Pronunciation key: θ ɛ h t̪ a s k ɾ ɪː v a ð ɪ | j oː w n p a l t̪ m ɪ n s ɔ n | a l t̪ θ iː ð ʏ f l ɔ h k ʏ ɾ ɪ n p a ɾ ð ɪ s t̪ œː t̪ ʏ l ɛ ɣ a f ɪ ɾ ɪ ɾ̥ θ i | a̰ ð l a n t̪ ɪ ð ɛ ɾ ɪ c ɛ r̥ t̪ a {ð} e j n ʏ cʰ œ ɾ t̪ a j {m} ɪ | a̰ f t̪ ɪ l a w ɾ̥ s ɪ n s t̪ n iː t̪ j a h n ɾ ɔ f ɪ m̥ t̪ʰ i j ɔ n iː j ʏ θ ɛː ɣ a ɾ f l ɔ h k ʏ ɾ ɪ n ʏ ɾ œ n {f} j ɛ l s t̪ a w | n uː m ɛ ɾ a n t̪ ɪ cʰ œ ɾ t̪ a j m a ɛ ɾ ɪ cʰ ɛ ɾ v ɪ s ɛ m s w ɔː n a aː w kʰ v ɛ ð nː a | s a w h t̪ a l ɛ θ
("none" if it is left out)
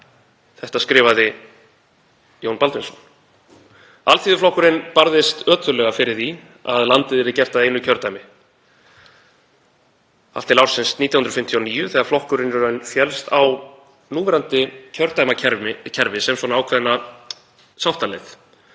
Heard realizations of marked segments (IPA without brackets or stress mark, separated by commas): ð, m, f